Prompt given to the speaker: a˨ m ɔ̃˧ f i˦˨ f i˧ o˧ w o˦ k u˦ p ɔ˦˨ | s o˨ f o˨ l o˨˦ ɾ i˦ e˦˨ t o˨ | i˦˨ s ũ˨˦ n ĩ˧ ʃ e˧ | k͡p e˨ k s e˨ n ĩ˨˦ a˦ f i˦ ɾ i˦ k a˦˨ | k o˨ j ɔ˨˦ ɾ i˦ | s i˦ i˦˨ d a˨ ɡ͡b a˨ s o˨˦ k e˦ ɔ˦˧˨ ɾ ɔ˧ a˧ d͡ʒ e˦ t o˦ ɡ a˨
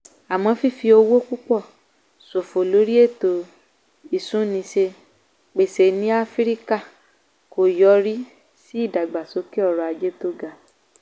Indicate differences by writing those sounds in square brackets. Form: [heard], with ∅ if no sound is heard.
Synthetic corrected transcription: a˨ m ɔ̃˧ f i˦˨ f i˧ o˧ w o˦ k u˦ [k͡p] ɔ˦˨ | s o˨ f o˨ l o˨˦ ɾ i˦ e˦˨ t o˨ | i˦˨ s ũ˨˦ n ĩ˧ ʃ e˧ | k͡p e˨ [∅] s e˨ n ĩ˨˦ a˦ f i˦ ɾ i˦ k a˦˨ | k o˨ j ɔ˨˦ ɾ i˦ | s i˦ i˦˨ d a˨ ɡ͡b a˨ s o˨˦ k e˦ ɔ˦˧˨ ɾ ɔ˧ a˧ d͡ʒ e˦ t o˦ ɡ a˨